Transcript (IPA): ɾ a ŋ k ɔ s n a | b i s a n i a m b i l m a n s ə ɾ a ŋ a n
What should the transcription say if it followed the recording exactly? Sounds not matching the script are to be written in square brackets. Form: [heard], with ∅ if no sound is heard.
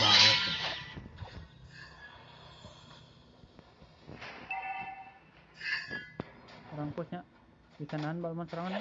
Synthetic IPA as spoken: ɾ a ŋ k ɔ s [ɲ] a | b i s a n [a] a [n] b [a] l m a n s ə ɾ a ŋ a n